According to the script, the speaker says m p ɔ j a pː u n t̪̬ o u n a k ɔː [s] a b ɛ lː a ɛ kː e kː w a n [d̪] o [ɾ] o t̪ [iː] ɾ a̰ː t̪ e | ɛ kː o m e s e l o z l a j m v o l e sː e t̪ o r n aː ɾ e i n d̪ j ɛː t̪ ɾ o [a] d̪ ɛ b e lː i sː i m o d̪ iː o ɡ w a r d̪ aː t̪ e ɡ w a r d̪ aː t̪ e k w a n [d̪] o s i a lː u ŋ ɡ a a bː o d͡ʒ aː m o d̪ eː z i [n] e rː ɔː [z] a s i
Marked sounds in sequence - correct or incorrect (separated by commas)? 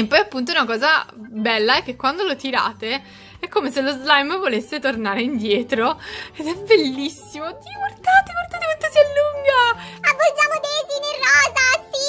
incorrect, correct, incorrect, incorrect, incorrect, incorrect, correct, correct